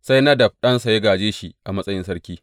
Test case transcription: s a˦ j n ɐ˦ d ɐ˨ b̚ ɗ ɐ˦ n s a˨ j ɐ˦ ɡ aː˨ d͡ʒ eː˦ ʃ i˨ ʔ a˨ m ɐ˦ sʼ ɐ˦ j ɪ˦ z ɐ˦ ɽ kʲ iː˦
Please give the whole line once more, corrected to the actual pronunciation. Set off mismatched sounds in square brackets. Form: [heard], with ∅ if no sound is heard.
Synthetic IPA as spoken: s a˦ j n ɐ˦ d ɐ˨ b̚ ɗ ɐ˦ n s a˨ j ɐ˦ ɡ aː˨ d͡ʒ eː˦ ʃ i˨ ʔ a˨ m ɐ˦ sʼ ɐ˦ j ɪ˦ [s] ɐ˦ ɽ kʲ iː˦